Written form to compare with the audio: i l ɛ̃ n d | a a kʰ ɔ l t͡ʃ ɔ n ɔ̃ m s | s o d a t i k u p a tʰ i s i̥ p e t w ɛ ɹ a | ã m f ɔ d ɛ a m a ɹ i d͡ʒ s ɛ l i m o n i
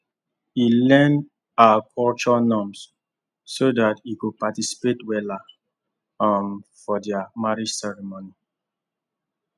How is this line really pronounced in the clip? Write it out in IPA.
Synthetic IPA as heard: i l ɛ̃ n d | a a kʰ ɔ l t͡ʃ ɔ n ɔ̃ m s | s o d a t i k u p a t i s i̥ p e t w ɛ l a | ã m f ɔ d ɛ a m a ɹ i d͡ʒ s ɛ ɹ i m o n i